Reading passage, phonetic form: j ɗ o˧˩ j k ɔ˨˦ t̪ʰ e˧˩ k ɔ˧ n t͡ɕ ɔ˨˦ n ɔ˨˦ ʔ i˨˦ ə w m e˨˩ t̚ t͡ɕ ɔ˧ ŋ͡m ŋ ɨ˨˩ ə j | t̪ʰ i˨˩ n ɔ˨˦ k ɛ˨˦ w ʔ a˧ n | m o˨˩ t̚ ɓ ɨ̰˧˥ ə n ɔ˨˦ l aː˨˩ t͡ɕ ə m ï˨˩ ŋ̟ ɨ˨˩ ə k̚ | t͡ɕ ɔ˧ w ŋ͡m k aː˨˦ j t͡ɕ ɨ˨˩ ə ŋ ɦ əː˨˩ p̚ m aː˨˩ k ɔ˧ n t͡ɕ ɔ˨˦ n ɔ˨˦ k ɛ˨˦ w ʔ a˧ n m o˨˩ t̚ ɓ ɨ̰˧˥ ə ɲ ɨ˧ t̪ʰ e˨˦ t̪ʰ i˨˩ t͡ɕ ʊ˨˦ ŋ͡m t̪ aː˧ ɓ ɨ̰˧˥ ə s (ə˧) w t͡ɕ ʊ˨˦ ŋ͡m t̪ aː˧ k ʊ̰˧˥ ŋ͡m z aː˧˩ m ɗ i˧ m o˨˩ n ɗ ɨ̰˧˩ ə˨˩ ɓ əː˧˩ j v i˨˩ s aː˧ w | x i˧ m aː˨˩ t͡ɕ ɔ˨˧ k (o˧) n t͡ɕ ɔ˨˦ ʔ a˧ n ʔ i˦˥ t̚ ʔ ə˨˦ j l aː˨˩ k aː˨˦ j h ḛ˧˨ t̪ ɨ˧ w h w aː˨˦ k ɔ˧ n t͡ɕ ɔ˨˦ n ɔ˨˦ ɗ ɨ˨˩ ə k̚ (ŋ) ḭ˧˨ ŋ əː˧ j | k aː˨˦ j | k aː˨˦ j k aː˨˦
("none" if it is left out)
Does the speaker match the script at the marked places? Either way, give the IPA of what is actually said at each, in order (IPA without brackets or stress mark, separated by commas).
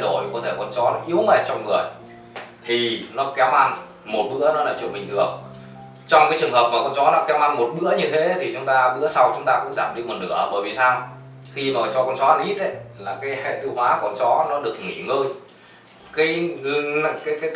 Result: a˧, ɔ˧, ŋ